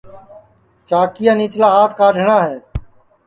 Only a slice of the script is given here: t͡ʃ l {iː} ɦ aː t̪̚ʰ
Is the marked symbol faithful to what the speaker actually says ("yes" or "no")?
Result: no